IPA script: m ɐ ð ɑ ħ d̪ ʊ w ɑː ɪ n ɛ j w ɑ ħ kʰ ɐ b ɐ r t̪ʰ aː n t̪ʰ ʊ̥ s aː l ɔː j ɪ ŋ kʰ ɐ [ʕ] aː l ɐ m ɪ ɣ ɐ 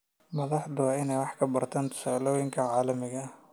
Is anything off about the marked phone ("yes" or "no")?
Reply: no